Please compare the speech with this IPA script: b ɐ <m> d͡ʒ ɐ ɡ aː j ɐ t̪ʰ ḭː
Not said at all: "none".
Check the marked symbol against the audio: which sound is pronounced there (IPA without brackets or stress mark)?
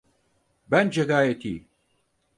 n